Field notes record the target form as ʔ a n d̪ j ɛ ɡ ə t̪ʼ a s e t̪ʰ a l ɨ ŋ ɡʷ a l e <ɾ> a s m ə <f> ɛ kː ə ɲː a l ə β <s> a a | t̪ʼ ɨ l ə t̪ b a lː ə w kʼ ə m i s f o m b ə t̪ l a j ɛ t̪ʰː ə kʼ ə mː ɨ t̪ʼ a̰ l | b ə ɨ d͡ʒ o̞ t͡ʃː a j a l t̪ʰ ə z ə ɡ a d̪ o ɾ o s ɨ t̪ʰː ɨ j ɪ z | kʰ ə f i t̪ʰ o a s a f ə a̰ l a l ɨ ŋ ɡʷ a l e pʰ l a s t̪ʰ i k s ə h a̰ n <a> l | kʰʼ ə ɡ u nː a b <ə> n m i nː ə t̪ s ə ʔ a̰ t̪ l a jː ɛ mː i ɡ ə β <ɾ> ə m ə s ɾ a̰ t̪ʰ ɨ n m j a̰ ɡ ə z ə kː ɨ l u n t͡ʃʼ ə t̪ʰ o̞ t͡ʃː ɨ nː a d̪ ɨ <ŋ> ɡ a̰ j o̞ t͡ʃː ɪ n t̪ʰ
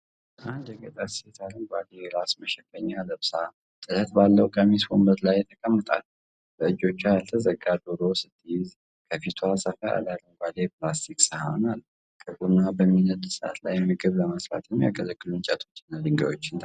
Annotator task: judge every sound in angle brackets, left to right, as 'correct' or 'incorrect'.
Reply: correct, incorrect, correct, correct, correct, incorrect, correct

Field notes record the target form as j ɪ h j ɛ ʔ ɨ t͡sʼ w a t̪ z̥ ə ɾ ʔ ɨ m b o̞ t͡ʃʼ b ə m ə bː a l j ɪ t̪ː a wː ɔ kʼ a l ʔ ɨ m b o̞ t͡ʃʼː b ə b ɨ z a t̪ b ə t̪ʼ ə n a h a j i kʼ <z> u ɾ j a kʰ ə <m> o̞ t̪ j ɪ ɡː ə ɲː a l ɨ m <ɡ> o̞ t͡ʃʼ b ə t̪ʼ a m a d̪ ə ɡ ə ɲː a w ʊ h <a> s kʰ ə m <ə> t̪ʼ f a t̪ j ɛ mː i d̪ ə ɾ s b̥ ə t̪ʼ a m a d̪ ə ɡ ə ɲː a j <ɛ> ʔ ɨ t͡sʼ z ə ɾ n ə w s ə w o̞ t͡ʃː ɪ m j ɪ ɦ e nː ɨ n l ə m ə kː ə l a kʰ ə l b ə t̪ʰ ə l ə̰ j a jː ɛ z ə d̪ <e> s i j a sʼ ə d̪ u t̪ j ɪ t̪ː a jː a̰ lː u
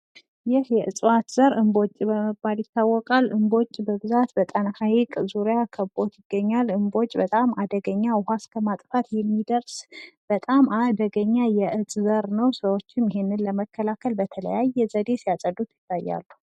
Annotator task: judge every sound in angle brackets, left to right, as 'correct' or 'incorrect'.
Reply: correct, incorrect, incorrect, correct, incorrect, correct, correct

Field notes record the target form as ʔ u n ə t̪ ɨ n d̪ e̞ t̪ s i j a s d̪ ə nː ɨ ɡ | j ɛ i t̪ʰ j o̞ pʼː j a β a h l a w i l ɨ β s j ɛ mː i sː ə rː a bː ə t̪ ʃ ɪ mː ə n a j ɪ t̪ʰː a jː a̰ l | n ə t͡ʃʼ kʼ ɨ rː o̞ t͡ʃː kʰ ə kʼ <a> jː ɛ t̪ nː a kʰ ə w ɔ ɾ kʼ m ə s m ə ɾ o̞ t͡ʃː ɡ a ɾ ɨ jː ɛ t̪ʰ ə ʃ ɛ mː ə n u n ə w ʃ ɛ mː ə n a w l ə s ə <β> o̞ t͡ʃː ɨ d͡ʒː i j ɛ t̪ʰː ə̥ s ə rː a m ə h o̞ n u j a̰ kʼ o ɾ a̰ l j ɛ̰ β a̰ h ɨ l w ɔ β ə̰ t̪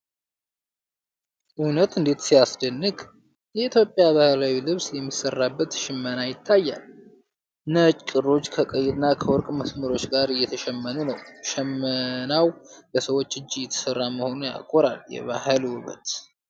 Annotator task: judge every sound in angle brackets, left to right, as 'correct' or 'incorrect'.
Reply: incorrect, incorrect

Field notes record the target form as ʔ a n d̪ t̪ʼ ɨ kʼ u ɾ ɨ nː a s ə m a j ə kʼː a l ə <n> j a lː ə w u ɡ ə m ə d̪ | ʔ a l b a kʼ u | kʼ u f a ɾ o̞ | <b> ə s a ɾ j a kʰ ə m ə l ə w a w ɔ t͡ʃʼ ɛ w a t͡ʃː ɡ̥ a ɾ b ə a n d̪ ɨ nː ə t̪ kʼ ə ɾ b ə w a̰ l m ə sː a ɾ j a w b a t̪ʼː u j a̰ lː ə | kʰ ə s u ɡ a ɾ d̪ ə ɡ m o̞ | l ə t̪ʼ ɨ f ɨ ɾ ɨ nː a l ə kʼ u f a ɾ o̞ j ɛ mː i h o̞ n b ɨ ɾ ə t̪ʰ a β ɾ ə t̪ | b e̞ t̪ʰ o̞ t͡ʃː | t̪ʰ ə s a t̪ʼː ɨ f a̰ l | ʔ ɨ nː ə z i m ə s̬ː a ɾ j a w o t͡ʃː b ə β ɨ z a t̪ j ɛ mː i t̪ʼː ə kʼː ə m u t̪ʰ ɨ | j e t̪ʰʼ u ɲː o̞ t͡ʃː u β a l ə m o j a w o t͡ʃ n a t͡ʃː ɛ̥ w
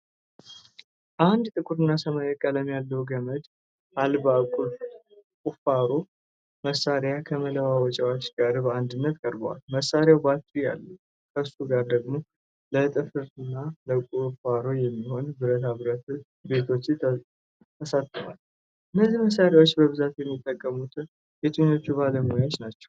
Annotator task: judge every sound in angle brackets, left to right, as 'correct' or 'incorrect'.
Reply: incorrect, incorrect

